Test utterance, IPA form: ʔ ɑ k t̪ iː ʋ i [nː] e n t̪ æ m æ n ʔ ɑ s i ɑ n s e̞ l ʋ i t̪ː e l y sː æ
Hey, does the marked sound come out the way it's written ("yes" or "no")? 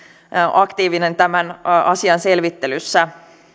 no